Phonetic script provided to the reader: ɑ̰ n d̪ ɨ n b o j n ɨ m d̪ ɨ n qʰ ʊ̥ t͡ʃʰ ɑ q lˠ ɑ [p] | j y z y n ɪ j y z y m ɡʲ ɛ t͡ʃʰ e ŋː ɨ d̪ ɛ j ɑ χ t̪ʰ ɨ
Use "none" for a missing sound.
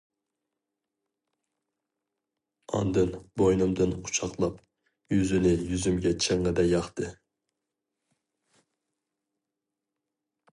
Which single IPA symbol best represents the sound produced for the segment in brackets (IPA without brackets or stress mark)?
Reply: p